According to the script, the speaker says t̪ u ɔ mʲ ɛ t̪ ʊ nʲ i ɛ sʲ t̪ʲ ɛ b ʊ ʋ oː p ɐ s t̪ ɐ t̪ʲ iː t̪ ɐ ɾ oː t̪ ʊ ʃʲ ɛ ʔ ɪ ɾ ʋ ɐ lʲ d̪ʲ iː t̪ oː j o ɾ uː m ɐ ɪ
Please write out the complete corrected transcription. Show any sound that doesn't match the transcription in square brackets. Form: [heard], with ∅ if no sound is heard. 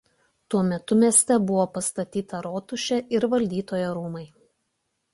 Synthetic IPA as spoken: t̪ u ɔ mʲ ɛ t̪ ʊ [mʲ] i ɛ sʲ t̪ʲ ɛ b ʊ ʋ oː p ɐ s t̪ ɐ t̪ʲ iː t̪ ɐ ɾ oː t̪ ʊ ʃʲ ɛ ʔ ɪ ɾ ʋ ɐ lʲ d̪ʲ iː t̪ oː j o ɾ uː m ɐ ɪ

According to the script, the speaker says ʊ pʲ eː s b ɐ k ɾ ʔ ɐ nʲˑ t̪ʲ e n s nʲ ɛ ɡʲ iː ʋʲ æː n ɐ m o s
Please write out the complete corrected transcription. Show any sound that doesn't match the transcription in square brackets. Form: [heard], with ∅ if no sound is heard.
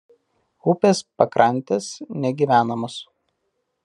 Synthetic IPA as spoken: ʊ pʲ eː s [p] ɐ k ɾ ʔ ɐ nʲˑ t̪ʲ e [∅] s nʲ ɛ ɡʲ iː ʋʲ æː n ɐ m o s

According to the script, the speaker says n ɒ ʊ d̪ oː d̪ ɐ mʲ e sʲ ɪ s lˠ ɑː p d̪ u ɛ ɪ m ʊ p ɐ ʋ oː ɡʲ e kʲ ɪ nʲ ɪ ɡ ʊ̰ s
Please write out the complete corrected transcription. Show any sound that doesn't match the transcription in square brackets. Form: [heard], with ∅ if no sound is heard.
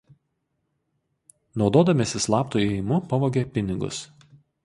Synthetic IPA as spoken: n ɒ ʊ d̪ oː d̪ ɐ mʲ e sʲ ɪ s lˠ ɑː p [t̪] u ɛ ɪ m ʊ p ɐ ʋ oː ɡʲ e [pʲ] ɪ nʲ ɪ ɡ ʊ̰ s

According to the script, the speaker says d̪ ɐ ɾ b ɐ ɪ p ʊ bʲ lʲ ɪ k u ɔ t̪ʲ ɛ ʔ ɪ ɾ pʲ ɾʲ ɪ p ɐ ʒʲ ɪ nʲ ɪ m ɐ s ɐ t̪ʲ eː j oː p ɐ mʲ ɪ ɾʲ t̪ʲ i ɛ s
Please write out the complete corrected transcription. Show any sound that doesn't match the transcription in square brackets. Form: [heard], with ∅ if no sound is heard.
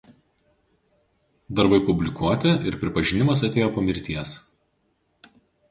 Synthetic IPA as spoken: d̪ ɐ ɾ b ɐ ɪ p ʊ bʲ lʲ ɪ k u ɔ t̪ʲ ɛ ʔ ɪ ɾ pʲ ɾʲ ɪ p ɐ ʒʲ ɪ nʲ ɪ m ɐ s ɐ t̪ʲ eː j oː p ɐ mʲ ɪ ɾʲ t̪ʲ i ɛ s

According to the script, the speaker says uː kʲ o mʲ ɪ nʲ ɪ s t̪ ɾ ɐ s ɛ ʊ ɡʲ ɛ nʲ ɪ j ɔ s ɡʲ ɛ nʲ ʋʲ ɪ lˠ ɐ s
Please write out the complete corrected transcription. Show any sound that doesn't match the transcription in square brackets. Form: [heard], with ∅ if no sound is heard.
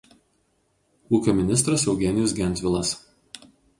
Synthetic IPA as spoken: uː kʲ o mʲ ɪ nʲ ɪ s t̪ ɾ ɐ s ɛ ʊ ɡʲ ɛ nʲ ɪ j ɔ s ɡʲ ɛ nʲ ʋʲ ɪ lˠ ɐ s

